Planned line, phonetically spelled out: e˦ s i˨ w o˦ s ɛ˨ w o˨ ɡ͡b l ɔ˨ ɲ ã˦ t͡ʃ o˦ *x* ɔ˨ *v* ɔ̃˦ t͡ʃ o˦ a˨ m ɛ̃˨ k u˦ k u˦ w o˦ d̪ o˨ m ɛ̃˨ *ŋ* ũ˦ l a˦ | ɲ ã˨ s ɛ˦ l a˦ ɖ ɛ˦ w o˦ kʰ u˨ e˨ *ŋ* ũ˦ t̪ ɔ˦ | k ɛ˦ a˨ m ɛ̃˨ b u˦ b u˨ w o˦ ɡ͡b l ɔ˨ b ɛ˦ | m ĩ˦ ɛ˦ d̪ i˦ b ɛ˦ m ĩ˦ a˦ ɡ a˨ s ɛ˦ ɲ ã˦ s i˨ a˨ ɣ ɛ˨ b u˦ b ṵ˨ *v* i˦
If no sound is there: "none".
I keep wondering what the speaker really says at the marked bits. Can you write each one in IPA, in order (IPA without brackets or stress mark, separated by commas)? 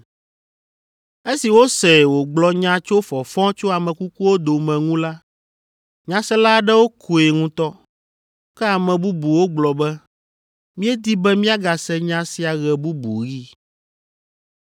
f, f, ŋ, ŋ, ɣ